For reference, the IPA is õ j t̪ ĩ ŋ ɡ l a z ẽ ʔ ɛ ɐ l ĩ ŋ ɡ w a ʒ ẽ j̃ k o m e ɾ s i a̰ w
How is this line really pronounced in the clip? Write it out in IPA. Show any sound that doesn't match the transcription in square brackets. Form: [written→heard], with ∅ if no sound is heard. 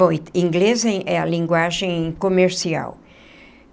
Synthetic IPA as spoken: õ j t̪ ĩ ŋ ɡ l [a→e] z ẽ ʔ ɛ ɐ l ĩ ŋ ɡ w a ʒ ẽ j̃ k o m e ɾ s i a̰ w

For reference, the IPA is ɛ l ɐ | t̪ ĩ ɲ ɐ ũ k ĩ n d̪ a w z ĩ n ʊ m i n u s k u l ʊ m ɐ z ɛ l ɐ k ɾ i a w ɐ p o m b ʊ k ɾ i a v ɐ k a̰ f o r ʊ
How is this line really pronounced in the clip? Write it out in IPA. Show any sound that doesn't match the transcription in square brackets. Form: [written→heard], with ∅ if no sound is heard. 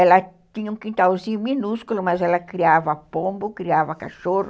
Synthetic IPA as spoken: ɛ l ɐ | t̪ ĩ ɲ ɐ ũ k ĩ n [d̪→t̪] a w z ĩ [n→ɲ] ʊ m i n u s k u l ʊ m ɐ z ɛ l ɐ k ɾ i a [w→v] ɐ p [o→õ] m b ʊ k ɾ i a v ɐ k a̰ [f→ʃ] o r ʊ

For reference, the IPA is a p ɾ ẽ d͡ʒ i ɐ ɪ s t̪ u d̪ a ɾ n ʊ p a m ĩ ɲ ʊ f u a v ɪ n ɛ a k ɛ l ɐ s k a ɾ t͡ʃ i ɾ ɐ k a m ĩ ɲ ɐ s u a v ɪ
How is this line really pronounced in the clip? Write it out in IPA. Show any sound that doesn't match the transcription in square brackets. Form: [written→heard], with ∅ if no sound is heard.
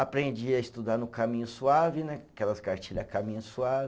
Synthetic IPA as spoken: a p ɾ ẽ d͡ʒ i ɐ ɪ s t̪ u d̪ a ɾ n ʊ [p→k] a m ĩ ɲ ʊ [f→s] u a v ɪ n ɛ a k ɛ l ɐ s k a ɾ t͡ʃ i [ɾ→ʎ] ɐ k a m ĩ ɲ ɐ s u a v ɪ

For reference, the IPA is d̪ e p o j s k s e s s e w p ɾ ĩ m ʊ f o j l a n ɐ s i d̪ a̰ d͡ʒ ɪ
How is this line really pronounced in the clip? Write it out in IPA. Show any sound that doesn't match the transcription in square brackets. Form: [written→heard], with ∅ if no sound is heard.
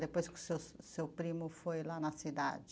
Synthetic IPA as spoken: d̪ e p o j s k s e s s e w p ɾ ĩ m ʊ f o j l a n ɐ s i d̪ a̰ d͡ʒ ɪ

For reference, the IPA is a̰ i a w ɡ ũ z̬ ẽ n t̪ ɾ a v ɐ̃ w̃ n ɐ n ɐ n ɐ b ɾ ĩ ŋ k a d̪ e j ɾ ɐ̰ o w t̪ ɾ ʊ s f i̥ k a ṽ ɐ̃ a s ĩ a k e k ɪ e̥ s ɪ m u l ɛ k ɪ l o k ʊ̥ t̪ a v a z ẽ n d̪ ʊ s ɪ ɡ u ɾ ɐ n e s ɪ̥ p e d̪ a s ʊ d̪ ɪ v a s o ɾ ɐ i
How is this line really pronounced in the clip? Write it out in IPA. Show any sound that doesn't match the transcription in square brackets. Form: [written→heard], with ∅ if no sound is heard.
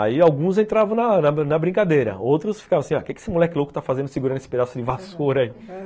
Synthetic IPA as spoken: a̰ i a w ɡ ũ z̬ ẽ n t̪ ɾ a v ɐ̃ w̃ n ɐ n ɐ n ɐ b ɾ ĩ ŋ k a d̪ e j ɾ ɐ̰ o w t̪ ɾ ʊ s f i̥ k a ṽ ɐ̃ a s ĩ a k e k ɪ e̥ s ɪ m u l ɛ k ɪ l o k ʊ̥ t̪ a [v→f] a z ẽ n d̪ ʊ s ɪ ɡ u ɾ ɐ n e s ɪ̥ p e d̪ a s ʊ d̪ ɪ v a s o ɾ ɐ i

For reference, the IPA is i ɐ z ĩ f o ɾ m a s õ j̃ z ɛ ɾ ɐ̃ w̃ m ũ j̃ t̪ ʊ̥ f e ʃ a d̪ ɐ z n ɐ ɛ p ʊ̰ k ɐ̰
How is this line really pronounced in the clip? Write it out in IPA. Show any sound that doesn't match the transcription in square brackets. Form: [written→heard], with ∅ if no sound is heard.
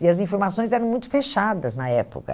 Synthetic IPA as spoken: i ɐ z ĩ f o ɾ m a s õ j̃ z ɛ ɾ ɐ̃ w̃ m ũ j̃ t̪ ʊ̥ f e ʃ a d̪ ɐ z n ɐ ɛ p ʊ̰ k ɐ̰

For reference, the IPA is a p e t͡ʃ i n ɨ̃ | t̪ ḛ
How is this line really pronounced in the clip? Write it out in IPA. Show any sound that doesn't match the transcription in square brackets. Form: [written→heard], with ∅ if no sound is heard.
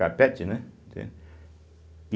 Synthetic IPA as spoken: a p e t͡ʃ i n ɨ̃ | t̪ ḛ

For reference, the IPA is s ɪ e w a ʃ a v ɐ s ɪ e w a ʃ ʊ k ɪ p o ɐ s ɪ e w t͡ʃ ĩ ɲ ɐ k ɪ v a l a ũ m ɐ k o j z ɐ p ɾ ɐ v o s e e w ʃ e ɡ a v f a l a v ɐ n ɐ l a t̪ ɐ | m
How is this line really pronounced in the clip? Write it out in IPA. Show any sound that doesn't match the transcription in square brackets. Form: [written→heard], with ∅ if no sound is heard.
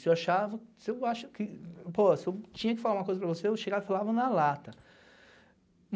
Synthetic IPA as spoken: s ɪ e w a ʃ a v ɐ s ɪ e w a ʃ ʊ k ɪ p o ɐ s ɪ e w t͡ʃ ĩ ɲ ɐ k ɪ [v→f] a l a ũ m ɐ k o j z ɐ p ɾ ɐ v o s e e w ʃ e ɡ a v f a l a v ɐ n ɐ l a t̪ ɐ | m

